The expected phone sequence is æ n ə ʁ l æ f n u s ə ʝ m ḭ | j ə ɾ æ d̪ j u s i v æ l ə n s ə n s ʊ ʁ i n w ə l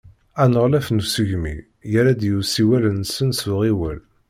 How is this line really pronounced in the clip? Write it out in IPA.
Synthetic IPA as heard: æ n ə ʁ l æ f n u s ə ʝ m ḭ | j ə ɾ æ d̪ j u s i w æ l ə n s ə n s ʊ ʁ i w ə l